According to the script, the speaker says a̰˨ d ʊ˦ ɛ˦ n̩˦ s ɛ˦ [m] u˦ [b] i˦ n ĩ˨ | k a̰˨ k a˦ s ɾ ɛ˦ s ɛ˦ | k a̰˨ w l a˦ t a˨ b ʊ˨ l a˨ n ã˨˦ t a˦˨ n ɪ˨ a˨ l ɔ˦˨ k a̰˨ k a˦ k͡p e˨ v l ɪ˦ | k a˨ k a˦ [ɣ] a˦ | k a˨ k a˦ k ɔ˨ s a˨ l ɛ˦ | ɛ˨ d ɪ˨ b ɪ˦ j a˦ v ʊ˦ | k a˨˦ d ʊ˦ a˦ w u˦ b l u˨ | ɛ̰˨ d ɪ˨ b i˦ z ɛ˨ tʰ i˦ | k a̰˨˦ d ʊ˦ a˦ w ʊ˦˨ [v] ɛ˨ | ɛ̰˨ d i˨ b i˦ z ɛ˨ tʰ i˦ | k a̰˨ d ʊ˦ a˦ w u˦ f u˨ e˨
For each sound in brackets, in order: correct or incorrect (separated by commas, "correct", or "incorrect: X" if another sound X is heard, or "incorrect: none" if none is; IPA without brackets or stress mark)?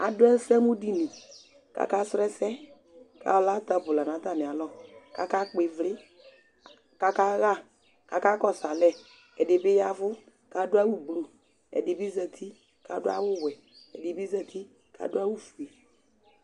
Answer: correct, incorrect: d, correct, incorrect: w